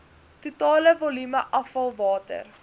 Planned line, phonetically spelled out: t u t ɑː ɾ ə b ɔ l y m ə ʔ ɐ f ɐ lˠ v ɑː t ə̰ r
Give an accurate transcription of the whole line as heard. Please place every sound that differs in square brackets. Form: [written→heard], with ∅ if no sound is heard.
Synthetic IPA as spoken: t u t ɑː [ɾ→l] ə [b→v] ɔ l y m ə ʔ ɐ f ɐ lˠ v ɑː t ə̰ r